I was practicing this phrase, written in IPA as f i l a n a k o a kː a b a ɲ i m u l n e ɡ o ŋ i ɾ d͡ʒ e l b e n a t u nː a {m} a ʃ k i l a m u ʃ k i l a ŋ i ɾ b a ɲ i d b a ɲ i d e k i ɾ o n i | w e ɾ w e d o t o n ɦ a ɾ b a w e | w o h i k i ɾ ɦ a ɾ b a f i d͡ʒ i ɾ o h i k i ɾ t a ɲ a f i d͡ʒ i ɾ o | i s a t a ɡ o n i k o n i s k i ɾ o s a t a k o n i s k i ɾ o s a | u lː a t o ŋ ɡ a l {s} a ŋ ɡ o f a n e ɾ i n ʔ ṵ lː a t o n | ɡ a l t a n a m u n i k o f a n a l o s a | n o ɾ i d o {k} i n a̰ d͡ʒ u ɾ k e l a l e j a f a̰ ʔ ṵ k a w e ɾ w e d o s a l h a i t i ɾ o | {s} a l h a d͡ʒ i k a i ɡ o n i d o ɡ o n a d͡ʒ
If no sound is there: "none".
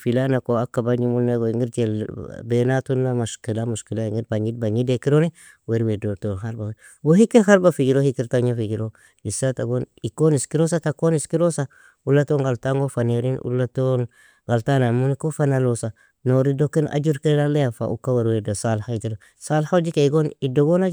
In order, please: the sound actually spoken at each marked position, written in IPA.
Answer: m, t, k, s

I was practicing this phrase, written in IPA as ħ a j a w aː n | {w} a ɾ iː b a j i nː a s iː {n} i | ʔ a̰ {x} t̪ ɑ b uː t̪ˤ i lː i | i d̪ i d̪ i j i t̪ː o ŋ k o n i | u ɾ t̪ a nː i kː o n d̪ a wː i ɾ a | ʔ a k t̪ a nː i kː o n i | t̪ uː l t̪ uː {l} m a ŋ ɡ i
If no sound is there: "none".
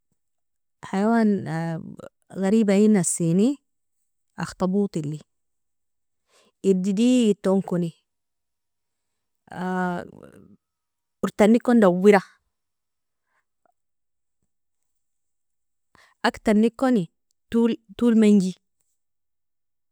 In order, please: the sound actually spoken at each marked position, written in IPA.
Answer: ɣ, n, x, l

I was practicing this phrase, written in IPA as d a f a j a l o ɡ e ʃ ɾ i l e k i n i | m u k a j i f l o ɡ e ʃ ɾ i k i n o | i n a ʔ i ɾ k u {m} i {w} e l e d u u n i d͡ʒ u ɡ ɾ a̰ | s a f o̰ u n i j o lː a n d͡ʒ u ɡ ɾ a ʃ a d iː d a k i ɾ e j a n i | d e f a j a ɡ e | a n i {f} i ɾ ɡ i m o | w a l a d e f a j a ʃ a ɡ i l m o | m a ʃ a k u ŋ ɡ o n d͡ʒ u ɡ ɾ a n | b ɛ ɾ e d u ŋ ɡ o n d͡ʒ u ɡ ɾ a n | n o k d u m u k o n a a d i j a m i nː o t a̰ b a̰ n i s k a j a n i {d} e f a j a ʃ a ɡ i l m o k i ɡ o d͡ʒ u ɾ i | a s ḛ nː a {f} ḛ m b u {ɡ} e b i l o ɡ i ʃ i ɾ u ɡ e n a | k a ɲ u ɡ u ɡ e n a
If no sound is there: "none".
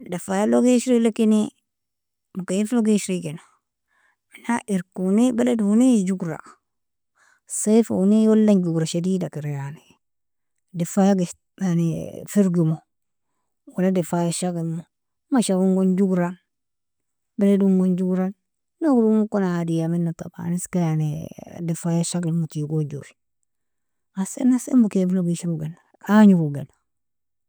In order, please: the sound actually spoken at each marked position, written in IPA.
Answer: n, b, f, d, s, k

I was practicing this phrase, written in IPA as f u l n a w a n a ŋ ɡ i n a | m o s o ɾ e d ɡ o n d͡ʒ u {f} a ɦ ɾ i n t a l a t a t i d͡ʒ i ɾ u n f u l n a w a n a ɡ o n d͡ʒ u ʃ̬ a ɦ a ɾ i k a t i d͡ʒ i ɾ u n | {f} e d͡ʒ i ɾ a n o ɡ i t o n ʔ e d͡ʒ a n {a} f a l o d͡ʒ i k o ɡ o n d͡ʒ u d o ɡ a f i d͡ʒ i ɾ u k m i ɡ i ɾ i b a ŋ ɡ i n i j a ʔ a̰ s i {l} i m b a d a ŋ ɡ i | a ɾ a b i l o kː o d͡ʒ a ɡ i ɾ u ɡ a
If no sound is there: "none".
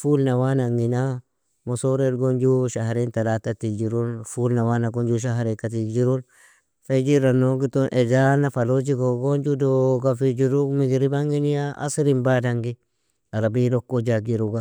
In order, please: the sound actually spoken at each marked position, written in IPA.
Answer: ʃ, f, a, ɾ

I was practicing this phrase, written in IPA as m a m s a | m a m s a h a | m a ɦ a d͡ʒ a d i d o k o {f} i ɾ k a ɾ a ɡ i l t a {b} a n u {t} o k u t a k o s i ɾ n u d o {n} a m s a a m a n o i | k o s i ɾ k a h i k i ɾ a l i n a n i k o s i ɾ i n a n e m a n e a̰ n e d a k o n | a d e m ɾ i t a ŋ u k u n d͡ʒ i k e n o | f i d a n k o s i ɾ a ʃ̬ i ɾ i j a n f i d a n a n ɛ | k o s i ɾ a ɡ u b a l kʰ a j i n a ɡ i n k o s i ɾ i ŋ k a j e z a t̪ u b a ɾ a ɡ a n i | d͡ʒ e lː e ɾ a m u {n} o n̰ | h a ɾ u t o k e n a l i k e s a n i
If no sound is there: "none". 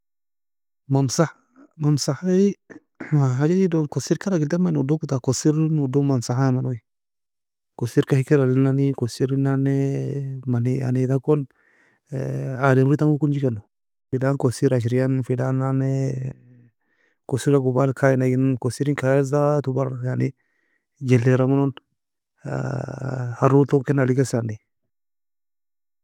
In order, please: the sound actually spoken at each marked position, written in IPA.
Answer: s, m, d, m, n

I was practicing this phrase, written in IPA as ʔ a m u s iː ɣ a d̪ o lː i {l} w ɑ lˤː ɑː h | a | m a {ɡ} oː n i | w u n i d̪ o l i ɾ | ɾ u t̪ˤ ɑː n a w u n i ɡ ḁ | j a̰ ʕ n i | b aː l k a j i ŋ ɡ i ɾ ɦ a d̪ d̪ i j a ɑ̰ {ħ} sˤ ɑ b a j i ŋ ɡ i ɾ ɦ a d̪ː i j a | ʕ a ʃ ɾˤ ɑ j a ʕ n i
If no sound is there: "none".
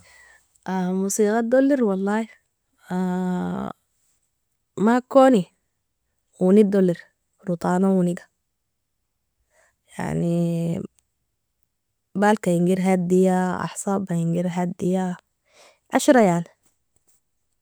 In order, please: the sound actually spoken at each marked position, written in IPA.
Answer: ɾ, k, ħ

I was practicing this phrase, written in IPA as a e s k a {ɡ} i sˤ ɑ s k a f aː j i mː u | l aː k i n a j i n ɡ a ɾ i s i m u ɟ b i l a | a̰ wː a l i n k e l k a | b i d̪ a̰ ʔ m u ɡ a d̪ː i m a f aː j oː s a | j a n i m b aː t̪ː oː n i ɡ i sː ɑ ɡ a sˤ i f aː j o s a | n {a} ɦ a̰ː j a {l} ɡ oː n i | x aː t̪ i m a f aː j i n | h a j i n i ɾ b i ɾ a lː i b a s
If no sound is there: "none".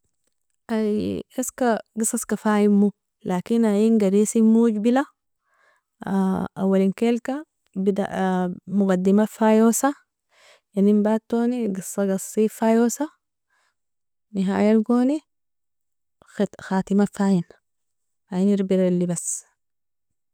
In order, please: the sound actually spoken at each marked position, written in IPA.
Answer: ɡ, i, l

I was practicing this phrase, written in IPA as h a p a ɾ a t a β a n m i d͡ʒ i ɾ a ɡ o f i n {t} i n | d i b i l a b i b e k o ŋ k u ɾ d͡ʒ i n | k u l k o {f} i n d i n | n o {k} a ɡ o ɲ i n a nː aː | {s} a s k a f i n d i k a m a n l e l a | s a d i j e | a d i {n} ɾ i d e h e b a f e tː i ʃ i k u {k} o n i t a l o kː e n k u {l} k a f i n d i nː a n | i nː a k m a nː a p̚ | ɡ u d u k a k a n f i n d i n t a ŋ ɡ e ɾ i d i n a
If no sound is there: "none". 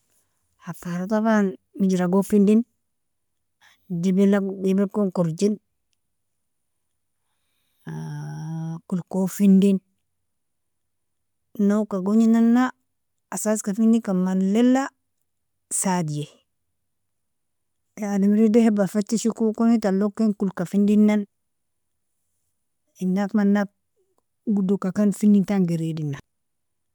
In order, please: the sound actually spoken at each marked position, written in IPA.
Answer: d, f, k, s, m, k, l

